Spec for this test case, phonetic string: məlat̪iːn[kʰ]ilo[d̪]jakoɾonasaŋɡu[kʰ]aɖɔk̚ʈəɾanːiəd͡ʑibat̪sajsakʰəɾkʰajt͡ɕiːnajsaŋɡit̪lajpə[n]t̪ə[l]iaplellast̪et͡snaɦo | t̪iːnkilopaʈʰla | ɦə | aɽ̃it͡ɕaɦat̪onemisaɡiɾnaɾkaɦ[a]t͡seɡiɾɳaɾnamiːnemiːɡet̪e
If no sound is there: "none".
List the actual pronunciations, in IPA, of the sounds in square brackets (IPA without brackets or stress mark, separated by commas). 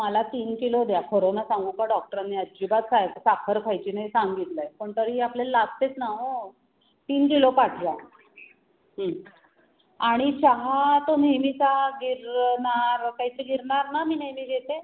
k, d̪, k, ɳ, ɾ, i